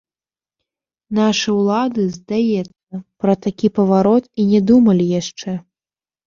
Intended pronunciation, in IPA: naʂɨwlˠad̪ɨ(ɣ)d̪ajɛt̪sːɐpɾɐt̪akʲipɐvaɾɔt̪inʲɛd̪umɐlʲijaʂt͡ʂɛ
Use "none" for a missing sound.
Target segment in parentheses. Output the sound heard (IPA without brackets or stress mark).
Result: z